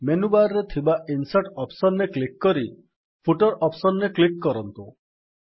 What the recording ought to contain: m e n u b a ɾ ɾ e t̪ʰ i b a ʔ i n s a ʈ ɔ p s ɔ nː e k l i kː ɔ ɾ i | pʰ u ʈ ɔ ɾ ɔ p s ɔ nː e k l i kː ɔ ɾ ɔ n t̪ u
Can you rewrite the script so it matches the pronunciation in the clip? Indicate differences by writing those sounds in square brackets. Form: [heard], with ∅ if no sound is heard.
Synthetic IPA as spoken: m e n u b a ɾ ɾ e t̪ʰ i b a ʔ i n s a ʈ ɔ p s ɔ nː e k l i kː ɔ ɾ i | pʰ u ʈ ɔ ɾ ɔ p s ɔ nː e k l i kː ɔ ɾ ɔ n t̪ u